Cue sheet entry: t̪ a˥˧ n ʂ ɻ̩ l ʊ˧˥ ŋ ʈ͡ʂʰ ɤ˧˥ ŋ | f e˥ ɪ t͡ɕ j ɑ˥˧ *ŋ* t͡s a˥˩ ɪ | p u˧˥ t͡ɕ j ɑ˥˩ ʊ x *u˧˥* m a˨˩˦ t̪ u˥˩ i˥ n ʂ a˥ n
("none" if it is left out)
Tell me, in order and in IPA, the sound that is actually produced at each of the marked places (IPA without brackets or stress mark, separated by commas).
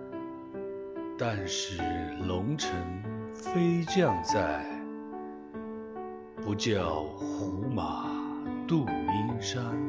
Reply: ŋ, u˧˥